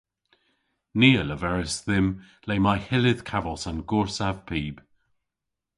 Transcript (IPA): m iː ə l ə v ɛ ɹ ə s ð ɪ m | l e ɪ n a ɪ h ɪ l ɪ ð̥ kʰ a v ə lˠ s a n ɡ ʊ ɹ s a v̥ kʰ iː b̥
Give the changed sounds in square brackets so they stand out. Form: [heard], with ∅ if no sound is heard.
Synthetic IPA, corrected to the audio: [n] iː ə l ə v ɛ ɹ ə s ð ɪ m | l e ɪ [m] a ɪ h ɪ l ɪ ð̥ kʰ a v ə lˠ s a n ɡ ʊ ɹ s a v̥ [pʰ] iː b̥